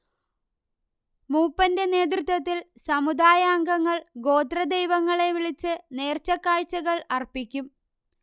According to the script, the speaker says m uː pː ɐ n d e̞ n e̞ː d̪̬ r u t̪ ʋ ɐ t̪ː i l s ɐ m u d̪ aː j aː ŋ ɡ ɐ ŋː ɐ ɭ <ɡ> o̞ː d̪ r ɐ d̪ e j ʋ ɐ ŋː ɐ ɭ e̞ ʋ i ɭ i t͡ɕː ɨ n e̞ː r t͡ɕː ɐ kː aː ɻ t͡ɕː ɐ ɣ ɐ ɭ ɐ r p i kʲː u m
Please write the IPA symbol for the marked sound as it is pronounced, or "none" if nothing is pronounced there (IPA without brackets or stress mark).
ɡ